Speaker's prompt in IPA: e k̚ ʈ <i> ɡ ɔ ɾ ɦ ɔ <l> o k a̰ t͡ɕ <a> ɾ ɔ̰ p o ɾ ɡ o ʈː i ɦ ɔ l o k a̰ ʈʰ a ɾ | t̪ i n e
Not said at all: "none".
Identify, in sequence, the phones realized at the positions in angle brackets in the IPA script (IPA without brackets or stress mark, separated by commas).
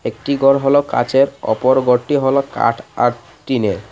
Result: i, l, e